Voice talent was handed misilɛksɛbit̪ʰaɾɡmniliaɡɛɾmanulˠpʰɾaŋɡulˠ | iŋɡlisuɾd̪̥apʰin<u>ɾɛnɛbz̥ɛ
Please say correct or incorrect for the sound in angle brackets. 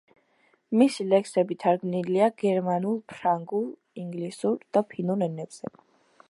correct